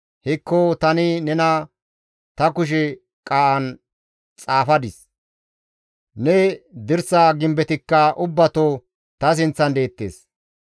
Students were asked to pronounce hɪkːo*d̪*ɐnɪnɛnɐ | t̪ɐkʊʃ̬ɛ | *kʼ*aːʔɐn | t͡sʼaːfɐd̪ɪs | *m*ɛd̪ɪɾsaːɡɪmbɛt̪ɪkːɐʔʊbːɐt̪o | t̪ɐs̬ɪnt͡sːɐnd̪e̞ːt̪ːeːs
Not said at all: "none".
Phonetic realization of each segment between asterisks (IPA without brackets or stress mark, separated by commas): t̪, kʼ, n